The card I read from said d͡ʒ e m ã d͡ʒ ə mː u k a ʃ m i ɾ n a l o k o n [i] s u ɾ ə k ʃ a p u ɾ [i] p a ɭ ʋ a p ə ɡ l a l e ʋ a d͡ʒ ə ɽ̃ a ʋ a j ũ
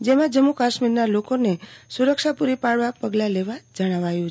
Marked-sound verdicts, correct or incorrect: incorrect: e, correct

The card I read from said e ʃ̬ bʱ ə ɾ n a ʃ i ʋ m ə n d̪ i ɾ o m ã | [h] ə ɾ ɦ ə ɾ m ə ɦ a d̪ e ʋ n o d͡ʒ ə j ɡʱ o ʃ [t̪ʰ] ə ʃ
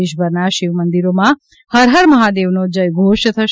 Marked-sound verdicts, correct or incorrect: correct, correct

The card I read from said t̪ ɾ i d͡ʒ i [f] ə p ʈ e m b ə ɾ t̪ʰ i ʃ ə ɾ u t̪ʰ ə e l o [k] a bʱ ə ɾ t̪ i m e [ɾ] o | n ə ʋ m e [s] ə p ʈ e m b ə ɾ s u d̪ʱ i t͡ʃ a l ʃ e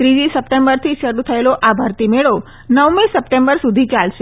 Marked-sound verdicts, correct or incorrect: incorrect: s, incorrect: ʔ, incorrect: ɭ, correct

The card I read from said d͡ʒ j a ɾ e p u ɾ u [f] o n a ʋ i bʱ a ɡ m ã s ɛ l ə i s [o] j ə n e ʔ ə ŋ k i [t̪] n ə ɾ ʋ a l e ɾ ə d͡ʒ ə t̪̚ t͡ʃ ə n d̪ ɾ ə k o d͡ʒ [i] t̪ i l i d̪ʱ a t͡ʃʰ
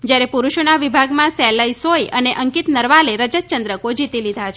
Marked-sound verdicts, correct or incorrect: incorrect: ʃ, correct, correct, correct

